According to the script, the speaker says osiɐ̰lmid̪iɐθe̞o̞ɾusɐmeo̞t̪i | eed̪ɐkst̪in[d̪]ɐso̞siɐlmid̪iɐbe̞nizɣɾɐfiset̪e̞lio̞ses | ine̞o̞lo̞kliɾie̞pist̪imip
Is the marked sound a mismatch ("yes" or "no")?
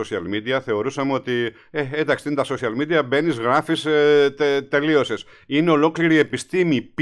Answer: yes